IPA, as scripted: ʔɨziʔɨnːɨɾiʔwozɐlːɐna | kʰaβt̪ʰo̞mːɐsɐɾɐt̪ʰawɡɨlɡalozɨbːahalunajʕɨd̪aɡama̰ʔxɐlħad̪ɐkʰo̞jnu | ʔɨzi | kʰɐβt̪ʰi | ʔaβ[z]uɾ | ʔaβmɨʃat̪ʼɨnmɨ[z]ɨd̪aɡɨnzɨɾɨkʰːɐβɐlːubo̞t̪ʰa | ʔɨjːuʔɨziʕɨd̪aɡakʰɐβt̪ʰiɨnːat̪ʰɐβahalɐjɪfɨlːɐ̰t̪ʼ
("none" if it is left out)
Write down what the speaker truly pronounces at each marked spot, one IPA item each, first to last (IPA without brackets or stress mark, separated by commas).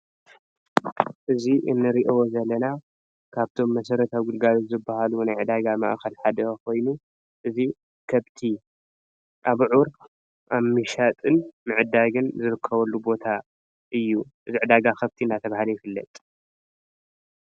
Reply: ʕ, ʕ